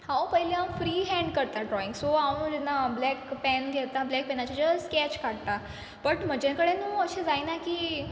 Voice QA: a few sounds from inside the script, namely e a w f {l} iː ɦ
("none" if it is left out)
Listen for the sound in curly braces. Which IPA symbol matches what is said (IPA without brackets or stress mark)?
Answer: ɾ